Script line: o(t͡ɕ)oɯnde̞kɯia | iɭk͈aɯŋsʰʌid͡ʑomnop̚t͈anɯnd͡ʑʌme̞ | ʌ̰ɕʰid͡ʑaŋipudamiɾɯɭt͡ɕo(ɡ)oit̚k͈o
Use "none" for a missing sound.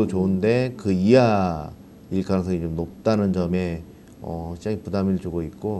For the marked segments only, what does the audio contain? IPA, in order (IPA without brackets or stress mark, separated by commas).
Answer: t͡ɕ, ɡ